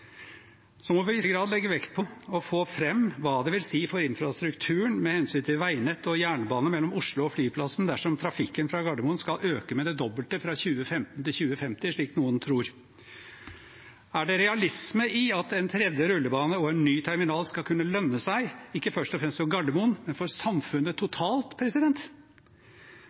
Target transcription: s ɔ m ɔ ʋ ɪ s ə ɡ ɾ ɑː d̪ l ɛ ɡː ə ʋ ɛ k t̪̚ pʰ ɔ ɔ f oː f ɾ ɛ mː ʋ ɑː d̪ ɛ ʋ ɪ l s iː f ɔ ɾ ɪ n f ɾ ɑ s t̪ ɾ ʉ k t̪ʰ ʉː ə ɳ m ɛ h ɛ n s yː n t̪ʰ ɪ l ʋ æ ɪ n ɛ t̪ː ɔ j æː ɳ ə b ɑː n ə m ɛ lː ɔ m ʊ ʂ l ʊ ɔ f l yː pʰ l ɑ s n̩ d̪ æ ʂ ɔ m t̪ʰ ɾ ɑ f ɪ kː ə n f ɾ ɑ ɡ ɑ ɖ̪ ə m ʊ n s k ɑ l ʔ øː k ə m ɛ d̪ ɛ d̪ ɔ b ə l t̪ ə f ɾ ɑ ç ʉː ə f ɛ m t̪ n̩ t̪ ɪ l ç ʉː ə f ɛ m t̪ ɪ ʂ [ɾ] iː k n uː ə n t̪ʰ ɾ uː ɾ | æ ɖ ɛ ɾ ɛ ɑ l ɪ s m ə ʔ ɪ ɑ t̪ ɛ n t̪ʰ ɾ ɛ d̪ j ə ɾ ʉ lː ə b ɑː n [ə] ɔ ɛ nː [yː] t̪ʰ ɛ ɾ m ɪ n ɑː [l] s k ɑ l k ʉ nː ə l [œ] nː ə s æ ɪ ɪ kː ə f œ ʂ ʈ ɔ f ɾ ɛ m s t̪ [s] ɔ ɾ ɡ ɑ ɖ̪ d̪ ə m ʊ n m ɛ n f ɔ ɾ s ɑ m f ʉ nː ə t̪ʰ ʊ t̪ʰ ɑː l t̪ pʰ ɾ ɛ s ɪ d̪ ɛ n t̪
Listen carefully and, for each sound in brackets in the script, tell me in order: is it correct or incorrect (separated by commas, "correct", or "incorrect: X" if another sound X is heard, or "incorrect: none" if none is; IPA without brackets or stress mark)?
incorrect: ɭ, correct, correct, correct, correct, incorrect: f